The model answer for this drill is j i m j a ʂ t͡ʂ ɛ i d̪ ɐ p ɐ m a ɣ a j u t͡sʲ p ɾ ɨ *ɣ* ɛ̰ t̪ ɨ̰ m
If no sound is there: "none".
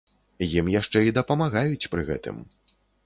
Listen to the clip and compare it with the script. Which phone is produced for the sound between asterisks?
ɣ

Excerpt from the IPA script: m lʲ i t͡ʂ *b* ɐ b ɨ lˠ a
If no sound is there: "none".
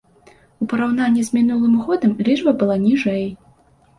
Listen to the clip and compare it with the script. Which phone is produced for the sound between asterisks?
b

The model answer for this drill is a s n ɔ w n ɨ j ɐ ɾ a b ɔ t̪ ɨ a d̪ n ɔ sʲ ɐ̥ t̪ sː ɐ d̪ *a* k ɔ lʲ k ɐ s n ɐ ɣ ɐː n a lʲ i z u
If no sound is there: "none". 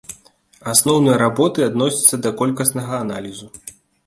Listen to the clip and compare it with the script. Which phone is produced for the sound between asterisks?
ɐ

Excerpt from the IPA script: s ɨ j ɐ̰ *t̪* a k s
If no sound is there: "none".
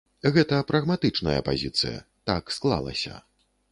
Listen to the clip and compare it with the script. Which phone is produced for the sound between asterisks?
t̪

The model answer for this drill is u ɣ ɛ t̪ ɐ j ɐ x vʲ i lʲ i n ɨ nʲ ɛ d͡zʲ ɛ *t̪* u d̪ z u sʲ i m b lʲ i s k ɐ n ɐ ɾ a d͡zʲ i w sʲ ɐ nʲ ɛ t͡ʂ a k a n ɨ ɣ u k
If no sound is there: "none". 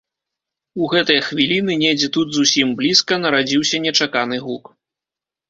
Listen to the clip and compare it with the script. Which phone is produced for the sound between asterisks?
t̪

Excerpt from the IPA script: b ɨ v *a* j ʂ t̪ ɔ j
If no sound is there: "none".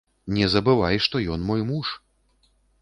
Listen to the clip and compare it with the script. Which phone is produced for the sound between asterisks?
a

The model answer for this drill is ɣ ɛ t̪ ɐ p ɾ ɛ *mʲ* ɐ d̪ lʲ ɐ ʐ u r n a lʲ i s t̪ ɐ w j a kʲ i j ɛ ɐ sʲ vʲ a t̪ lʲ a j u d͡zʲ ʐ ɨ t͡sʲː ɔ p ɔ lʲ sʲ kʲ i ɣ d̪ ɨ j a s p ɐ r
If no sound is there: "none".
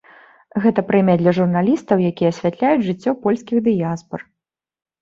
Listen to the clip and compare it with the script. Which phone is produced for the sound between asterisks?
mʲ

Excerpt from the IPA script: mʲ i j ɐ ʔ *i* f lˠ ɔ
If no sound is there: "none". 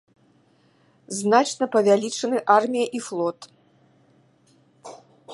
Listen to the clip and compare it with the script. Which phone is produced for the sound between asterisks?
i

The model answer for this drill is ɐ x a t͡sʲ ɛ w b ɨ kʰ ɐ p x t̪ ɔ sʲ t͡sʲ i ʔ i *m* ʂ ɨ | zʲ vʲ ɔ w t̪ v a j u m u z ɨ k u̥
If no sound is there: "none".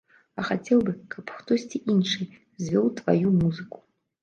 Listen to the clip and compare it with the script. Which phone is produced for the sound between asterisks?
n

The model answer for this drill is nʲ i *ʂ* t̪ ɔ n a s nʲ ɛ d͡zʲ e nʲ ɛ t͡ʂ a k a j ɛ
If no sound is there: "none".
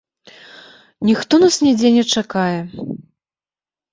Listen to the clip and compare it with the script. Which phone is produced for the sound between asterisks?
x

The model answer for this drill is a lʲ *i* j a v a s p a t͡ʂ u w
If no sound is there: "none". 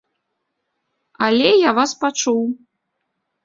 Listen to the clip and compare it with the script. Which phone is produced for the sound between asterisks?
ɛ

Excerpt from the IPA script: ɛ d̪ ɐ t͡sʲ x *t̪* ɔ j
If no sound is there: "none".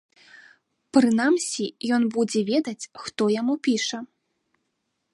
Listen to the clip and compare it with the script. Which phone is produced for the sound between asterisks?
t̪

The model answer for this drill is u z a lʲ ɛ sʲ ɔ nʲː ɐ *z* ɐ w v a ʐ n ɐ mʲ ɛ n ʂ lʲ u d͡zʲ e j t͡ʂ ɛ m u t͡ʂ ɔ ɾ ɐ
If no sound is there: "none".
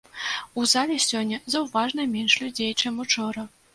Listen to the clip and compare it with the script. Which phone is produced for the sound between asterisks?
z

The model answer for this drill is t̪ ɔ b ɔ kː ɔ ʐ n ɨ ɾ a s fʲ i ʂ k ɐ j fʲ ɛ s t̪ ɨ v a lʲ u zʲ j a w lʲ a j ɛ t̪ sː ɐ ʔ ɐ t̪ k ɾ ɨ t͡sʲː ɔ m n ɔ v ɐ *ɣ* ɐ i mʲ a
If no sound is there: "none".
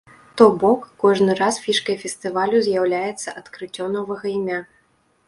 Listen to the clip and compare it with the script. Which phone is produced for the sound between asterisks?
ɣ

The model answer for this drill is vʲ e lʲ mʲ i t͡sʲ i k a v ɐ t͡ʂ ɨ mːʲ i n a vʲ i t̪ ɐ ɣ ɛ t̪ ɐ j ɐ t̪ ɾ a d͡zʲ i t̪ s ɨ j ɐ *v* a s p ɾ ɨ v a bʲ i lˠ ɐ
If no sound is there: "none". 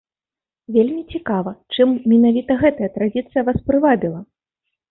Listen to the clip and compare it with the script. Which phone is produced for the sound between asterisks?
v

